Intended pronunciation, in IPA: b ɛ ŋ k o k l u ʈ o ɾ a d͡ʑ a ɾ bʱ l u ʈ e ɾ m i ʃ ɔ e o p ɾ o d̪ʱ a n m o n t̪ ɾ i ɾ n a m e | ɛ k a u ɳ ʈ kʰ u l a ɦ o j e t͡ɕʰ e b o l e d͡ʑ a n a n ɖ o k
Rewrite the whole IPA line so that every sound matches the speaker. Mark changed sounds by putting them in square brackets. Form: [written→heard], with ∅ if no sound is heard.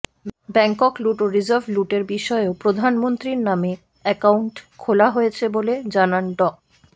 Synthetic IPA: b ɛ ŋ k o k l u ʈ o ɾ [a→i] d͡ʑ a ɾ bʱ l u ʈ e ɾ [m→b] i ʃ ɔ e o p ɾ o d̪ʱ a n m o n t̪ ɾ i ɾ n a m e | ɛ k a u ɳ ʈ kʰ [u→o] l a ɦ o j e t͡ɕʰ e b o l e d͡ʑ a n a n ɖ [o→ɔ] k